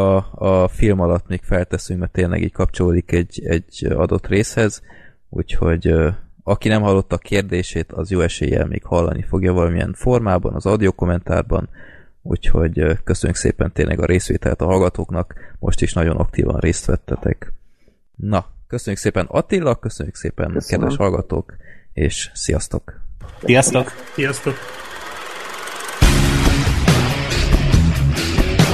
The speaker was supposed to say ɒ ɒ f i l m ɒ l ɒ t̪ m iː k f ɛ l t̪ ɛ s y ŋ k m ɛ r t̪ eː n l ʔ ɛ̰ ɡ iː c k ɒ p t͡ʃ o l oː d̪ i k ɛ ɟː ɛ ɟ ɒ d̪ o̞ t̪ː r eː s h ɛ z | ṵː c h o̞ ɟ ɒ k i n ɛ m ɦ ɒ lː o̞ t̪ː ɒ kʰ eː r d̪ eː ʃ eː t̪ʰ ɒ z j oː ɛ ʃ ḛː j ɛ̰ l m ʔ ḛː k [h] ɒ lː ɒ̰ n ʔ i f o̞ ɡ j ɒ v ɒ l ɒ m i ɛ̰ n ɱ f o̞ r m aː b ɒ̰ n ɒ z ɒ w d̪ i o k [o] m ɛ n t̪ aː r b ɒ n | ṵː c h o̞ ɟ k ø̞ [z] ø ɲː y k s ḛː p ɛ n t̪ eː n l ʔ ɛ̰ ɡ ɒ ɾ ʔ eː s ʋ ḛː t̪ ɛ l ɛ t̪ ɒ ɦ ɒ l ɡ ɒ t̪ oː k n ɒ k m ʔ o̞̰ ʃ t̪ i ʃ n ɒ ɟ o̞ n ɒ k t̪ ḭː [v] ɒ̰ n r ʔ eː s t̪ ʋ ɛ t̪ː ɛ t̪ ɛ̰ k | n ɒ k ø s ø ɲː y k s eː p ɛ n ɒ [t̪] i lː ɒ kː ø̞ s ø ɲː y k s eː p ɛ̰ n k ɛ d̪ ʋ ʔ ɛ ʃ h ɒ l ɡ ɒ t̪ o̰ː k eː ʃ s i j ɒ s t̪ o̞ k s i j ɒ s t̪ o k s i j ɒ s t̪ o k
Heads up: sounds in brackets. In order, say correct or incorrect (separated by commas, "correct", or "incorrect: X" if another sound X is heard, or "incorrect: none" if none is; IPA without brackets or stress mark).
correct, correct, incorrect: s, correct, correct